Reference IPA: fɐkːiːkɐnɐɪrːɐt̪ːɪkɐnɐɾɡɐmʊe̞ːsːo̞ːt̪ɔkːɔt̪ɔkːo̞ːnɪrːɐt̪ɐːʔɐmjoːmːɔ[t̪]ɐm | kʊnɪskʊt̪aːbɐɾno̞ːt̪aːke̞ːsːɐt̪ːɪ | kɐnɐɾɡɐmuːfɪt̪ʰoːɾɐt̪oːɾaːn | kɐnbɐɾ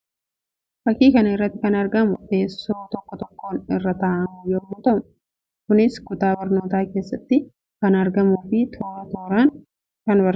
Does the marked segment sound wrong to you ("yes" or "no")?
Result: no